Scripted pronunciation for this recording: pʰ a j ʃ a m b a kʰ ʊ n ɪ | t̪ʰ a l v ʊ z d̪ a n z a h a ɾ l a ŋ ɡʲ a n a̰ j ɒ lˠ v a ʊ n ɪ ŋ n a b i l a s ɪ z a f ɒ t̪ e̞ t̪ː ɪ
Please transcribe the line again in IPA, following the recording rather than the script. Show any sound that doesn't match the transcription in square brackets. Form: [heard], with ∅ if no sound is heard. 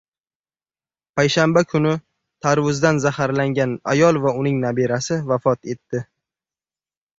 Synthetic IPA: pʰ a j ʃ a m b a kʰ ʊ n ɪ | t̪ʰ a [ɾ] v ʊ z d̪ a n z a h a ɾ l a ŋ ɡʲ a n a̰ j ɒ lˠ v a ʊ n ɪ ŋ n a b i [ɾ] a s ɪ [v] a f ɒ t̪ e̞ t̪ː ɪ